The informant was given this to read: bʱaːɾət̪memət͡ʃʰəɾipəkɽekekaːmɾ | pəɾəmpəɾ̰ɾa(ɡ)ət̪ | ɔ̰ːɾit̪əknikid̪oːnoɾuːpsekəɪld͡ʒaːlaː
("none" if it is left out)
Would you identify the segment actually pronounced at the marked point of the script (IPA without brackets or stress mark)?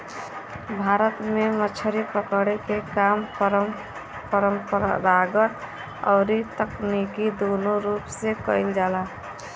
ɡ